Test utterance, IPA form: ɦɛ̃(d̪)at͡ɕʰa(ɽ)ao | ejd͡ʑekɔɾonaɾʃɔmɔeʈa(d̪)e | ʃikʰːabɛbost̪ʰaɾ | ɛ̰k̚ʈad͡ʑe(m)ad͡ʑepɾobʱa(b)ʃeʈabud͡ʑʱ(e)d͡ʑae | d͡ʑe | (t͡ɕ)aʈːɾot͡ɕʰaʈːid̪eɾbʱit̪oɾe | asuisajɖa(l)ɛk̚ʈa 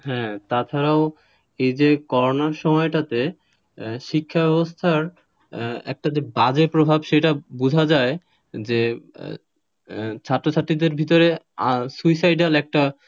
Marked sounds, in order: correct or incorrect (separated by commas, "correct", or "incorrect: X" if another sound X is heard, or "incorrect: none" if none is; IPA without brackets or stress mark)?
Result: incorrect: t̪, incorrect: ɾ, incorrect: t̪, incorrect: b, correct, incorrect: a, incorrect: t͡ɕʰ, correct